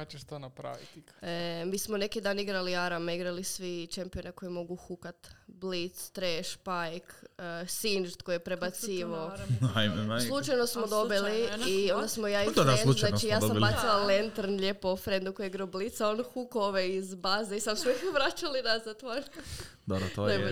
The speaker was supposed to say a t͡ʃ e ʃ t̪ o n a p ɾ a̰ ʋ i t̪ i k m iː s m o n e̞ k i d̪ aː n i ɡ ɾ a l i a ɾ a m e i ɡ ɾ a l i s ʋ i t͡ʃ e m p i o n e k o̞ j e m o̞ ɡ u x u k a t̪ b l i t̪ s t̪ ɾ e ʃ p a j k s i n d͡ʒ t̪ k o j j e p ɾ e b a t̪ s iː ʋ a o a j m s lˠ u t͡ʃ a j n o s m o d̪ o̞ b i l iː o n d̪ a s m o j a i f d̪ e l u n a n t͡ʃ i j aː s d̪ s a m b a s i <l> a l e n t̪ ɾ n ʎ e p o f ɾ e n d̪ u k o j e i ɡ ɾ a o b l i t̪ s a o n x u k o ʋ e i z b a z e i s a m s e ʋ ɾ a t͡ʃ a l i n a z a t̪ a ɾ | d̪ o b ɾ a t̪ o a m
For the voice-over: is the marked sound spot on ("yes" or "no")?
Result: yes